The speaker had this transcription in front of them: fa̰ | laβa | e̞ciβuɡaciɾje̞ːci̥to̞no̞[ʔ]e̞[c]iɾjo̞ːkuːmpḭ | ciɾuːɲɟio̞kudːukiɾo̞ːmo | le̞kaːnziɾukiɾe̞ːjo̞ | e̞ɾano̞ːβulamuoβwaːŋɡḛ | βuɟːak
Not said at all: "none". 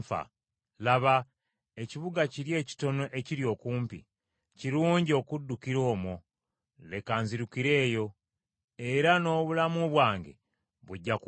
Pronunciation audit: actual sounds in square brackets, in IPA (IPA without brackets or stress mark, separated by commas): ʔ, c